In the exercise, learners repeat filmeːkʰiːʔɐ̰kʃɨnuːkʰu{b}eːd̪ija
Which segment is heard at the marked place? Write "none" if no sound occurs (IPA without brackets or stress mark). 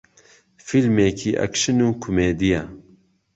m